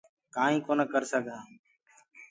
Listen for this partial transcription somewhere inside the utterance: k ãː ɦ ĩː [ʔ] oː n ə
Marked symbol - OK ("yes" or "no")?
no